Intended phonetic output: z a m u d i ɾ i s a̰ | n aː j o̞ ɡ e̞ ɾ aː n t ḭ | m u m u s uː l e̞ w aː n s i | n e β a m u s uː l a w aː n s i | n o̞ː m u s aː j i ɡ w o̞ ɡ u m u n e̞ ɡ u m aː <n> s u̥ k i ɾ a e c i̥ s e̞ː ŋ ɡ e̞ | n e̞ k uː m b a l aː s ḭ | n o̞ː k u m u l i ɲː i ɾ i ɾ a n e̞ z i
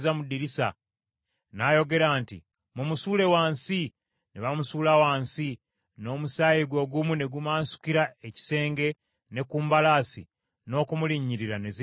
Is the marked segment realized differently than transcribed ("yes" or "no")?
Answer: no